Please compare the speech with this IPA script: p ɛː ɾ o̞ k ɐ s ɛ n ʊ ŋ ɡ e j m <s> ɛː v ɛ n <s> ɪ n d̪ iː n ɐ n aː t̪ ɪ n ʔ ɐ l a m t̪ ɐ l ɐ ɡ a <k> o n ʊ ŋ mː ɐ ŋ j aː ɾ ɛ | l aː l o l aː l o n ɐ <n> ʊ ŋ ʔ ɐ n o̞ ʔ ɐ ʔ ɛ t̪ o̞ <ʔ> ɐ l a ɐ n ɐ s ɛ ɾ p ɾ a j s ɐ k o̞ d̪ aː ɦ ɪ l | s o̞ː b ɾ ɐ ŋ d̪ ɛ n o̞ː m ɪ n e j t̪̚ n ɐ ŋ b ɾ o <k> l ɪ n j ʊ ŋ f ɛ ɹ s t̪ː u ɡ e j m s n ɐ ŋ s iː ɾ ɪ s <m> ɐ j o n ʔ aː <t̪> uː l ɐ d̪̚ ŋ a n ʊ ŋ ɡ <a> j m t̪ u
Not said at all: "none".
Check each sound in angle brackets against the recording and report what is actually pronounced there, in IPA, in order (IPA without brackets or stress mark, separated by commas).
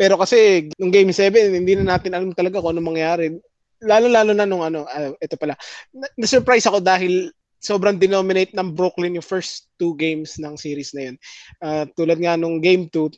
s, h, k, n, p, k, n, t̪, e